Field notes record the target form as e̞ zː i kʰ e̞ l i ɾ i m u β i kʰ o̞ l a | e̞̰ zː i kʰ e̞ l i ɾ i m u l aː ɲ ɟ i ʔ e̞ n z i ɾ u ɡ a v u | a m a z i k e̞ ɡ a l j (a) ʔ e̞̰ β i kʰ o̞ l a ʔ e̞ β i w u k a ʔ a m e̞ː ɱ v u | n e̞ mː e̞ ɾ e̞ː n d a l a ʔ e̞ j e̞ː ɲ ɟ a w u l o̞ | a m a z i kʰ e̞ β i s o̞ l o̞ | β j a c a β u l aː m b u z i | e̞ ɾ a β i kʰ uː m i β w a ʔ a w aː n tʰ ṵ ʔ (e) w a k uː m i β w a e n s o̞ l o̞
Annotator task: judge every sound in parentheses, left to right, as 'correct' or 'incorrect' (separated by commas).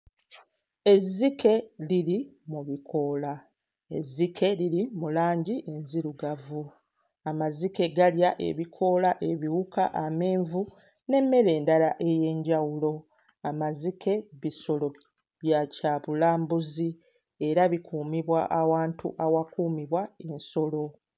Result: correct, incorrect